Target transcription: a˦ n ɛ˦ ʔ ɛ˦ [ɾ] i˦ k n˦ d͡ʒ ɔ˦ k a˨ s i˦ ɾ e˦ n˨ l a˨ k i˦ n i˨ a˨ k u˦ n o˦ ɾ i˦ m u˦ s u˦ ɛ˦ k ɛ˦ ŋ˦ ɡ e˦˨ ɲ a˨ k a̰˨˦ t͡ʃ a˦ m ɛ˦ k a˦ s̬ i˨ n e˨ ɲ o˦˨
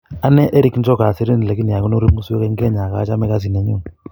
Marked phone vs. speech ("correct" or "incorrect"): correct